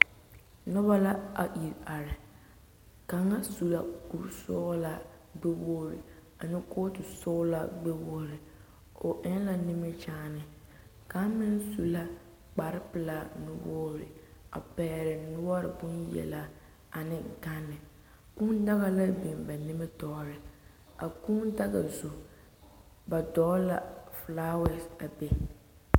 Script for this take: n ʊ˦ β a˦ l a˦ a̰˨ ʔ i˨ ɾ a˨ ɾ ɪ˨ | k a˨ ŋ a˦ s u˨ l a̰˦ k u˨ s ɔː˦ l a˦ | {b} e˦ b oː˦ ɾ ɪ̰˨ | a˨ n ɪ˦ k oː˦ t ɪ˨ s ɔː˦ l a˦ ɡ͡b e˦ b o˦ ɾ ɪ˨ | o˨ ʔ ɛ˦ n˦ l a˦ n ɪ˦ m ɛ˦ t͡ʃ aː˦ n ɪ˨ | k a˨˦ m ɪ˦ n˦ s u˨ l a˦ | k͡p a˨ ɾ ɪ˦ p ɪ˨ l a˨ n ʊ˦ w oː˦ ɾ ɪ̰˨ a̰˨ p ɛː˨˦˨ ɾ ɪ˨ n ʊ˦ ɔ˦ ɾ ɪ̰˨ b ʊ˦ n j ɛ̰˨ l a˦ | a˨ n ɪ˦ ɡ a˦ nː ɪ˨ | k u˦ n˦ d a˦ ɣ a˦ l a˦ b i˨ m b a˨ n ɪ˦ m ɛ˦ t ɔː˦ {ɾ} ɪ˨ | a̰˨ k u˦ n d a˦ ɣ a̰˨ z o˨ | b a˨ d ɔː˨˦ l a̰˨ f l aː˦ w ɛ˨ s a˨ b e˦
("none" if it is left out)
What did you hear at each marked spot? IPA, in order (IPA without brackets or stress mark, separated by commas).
ɡ͡b, ɾ